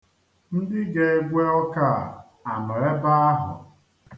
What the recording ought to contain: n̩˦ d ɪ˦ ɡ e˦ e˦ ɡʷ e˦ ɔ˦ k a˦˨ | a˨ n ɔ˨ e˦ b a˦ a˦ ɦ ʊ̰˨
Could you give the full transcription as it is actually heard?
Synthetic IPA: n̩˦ d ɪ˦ ɡ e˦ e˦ ɡʷ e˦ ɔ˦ k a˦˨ | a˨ n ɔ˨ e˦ b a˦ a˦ ɦ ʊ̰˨